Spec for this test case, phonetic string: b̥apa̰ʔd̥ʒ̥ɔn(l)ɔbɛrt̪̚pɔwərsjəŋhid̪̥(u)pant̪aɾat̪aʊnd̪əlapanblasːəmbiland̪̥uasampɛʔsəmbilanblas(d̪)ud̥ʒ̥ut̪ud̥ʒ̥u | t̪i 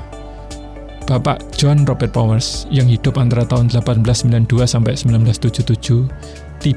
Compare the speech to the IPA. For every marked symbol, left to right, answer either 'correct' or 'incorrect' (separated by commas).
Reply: incorrect, incorrect, incorrect